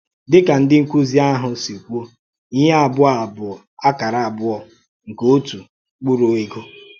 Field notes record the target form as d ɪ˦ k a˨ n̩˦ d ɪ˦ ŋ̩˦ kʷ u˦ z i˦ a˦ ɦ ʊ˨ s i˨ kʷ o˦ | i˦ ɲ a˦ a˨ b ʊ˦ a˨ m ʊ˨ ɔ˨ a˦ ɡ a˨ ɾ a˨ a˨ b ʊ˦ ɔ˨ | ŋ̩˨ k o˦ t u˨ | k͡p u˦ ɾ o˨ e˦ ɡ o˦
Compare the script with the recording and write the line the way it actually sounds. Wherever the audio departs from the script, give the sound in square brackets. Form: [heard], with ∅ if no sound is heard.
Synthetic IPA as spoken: d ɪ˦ k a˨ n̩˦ d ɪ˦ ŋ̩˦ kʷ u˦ z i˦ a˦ ɦ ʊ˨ s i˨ kʷ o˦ | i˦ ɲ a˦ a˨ b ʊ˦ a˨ [b] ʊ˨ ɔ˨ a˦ [k] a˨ ɾ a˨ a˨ b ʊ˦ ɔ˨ | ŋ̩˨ k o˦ t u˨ | k͡p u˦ ɾ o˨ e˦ ɡ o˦